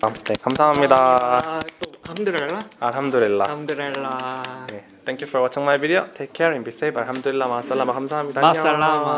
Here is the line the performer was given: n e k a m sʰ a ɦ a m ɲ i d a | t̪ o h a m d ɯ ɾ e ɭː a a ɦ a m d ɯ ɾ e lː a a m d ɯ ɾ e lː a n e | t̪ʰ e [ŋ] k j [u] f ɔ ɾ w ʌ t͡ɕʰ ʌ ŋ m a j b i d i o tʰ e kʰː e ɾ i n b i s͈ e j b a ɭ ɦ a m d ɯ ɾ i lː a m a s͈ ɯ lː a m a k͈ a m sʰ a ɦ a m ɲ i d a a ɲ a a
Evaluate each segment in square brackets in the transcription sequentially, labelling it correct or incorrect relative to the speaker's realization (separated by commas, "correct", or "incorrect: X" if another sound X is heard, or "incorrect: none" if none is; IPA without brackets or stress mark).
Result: correct, correct